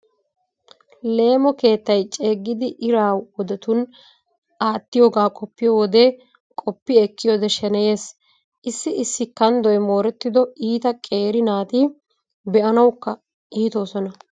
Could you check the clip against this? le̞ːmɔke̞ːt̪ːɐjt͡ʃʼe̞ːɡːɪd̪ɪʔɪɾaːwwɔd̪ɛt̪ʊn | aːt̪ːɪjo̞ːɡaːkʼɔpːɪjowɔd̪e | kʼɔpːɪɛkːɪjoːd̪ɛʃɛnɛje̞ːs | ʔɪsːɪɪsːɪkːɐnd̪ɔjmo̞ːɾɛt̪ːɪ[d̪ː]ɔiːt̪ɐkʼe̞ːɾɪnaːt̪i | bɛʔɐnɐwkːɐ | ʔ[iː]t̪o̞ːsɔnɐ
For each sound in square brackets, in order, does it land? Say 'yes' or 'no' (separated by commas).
no, yes